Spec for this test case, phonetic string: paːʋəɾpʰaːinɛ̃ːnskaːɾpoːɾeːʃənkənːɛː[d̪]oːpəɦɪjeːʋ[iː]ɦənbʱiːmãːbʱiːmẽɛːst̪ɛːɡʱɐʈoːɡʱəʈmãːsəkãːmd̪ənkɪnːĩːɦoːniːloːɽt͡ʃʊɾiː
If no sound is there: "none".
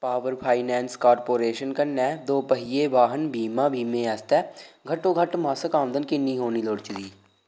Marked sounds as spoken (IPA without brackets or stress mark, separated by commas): d̪, aː